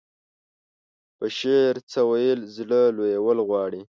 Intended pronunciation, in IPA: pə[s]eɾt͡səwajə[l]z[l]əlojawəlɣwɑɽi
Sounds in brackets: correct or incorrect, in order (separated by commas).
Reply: incorrect, correct, correct